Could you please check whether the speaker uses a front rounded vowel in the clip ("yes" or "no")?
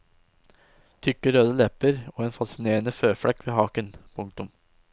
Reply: yes